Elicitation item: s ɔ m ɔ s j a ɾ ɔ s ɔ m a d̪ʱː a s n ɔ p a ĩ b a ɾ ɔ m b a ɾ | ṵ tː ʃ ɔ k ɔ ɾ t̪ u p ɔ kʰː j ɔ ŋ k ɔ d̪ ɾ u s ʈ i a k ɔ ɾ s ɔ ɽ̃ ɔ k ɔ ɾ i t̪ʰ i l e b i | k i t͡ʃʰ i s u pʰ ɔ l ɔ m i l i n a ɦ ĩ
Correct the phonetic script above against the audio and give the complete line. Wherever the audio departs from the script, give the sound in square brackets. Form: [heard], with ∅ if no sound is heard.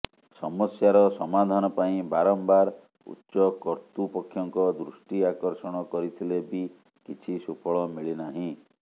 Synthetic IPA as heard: s ɔ m ɔ s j a ɾ ɔ s ɔ m a [d̪ʱ] a [∅] n ɔ p a ĩ b a ɾ ɔ m b a ɾ | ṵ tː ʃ ɔ k ɔ ɾ t̪ u p ɔ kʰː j ɔ ŋ k ɔ d̪ ɾ u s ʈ i a k ɔ ɾ s ɔ ɽ̃ ɔ k ɔ ɾ i t̪ʰ i l e b i | k i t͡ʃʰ i s u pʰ ɔ [ɭ] ɔ m i [ɭ] i n a ɦ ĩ